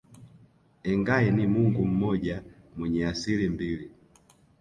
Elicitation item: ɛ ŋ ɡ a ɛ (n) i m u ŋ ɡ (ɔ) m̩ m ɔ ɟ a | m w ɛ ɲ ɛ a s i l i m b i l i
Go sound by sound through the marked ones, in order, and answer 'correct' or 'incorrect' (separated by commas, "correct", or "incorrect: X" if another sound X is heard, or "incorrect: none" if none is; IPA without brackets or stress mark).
correct, incorrect: u